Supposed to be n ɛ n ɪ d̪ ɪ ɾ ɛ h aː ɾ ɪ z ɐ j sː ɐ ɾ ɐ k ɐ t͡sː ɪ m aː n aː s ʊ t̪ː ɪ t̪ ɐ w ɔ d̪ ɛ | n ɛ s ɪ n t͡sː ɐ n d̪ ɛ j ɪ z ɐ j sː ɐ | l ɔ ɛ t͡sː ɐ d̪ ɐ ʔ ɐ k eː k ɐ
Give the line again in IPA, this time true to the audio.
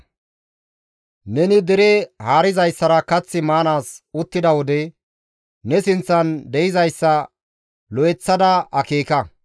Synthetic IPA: n ɛ n ɪ d̪ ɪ ɾ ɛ h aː ɾ ɪ z ɐ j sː ɐ ɾ ɐ k ɐ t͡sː ɪ m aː n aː s ʊ t̪ː ɪ d̪ ɐ w ɔ d̪ ɛ | n ɛ s ɪ n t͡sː ɐ n d̪ ɛ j ɪ z ɐ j sː ɐ | l ɔ ɛ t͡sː ɐ d̪ ɐ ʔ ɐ k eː k ɐ